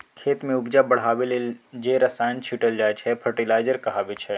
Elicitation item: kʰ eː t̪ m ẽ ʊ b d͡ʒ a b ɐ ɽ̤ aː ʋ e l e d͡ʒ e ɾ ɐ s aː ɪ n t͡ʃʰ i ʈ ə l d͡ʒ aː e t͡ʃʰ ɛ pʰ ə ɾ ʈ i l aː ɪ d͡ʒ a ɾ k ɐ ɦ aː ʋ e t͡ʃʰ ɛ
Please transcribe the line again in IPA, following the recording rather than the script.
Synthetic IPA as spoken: kʰ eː t̪ m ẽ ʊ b d͡ʒ a b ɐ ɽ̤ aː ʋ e l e d͡ʒ e ɾ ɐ s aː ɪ n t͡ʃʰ i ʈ ə l d͡ʒ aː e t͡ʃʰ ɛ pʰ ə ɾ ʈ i l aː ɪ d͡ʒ ə ɾ k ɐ ɦ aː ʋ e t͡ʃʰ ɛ